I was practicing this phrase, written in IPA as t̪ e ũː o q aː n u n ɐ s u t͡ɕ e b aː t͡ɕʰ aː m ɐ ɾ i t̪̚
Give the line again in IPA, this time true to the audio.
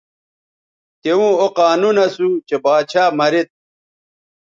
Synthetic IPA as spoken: t̪ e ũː o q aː n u n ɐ s u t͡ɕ e b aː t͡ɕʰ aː m ɐ ɾ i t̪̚